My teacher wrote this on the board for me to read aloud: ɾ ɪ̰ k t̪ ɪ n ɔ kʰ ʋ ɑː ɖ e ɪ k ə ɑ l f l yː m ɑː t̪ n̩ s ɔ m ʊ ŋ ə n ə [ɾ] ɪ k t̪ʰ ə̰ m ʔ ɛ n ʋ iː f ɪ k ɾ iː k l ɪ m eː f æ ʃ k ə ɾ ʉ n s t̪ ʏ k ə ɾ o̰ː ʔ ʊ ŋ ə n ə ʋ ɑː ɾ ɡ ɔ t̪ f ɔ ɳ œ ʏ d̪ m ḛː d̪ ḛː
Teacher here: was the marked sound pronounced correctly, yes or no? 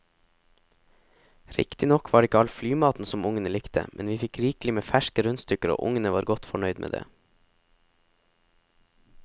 no